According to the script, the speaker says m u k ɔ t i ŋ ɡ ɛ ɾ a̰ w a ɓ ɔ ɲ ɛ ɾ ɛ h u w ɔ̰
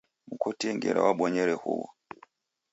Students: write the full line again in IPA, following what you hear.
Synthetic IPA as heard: m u k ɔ t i ŋ ɡ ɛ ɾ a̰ w a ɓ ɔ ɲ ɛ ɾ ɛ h u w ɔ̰